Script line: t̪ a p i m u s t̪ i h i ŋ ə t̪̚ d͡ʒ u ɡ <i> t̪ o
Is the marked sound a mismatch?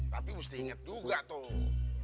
yes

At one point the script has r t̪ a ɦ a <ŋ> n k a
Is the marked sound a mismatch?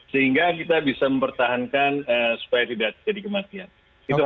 yes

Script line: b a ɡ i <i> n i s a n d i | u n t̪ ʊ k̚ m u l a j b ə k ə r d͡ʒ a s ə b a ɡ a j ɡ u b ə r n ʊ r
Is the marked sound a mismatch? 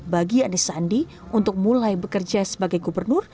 yes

